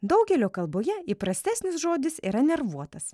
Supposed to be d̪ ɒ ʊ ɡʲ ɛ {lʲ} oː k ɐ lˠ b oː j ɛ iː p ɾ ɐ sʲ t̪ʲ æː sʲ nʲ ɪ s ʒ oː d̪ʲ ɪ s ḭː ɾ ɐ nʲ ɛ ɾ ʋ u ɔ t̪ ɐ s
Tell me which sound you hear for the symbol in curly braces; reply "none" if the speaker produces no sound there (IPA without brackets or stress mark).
lʲ